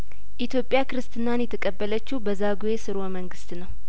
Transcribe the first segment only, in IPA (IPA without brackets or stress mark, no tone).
ʔ